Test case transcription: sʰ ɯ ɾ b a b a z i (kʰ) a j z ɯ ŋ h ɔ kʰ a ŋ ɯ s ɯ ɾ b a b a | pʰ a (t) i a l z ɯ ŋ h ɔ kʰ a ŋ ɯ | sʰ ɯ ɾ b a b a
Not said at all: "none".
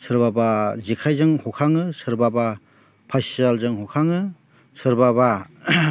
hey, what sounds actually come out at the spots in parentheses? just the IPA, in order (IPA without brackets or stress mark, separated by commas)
kʰ, s